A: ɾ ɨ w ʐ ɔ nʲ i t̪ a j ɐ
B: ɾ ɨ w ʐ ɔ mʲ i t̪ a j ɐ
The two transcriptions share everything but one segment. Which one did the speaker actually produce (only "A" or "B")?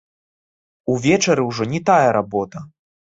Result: A